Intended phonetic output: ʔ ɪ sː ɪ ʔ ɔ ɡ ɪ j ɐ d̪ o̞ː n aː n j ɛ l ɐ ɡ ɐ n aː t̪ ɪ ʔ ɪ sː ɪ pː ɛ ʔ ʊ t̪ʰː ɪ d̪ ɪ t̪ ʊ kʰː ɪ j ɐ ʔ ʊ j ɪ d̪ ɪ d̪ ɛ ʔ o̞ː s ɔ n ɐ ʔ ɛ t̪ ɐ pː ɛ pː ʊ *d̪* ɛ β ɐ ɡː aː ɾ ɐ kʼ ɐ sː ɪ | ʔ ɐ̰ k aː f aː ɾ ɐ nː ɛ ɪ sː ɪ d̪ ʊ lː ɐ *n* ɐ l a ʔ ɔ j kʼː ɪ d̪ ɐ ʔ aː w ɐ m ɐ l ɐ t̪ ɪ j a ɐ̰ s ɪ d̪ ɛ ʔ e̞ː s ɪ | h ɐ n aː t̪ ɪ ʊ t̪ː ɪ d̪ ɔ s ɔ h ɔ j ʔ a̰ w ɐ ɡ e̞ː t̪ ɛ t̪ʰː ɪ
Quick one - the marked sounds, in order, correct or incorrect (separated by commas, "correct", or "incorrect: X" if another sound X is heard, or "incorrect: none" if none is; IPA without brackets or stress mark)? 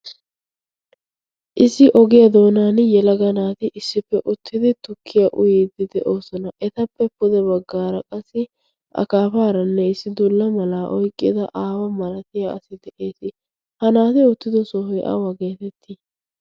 correct, incorrect: m